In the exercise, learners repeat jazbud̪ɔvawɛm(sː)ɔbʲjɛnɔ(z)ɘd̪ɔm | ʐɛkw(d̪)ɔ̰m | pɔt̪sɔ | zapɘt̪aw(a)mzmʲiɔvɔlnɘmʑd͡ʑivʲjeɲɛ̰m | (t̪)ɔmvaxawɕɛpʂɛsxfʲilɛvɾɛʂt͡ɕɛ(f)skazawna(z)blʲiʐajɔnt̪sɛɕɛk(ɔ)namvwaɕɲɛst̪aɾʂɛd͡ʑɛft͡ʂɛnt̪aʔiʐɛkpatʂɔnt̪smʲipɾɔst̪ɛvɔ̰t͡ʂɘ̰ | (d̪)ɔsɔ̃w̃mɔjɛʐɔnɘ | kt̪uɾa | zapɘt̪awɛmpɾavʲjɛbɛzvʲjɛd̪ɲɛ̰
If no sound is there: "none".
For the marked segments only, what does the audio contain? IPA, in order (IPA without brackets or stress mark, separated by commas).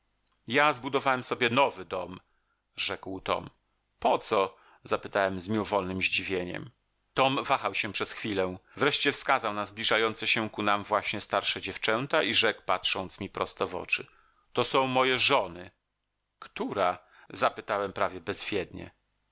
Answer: s, v, t̪, ɛ, t̪, f, z, u, t̪